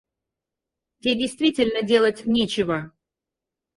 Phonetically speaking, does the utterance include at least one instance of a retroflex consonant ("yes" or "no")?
no